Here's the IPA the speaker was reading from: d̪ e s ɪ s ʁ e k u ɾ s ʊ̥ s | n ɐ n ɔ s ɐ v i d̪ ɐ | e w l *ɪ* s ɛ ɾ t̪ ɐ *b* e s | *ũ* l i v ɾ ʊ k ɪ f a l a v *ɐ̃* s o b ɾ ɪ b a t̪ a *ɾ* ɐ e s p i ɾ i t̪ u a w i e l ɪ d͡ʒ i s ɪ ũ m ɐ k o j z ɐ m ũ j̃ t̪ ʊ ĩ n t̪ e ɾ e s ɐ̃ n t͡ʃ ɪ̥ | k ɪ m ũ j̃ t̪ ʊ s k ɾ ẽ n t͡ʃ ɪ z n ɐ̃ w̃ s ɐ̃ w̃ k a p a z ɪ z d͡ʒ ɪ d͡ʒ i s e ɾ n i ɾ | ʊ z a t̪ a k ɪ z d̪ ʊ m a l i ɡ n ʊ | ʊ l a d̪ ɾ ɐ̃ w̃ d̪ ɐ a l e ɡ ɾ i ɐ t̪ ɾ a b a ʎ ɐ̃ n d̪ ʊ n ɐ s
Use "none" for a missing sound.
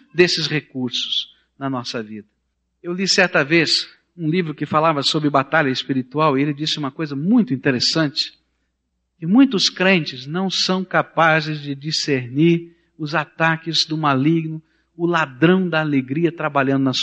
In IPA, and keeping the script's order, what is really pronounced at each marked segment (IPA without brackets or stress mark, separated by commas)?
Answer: i, v, ũ, ɐ, ʎ